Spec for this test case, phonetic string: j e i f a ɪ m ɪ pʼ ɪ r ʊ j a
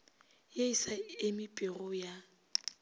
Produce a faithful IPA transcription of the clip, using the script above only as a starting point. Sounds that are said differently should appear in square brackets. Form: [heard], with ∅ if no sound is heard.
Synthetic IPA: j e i [s] a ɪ m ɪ pʼ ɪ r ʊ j a